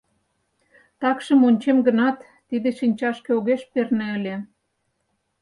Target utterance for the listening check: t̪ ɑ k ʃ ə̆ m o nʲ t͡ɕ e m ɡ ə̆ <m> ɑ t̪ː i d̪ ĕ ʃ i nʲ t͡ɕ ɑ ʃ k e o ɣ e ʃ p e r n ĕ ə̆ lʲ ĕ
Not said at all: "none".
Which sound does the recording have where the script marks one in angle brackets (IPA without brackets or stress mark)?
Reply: n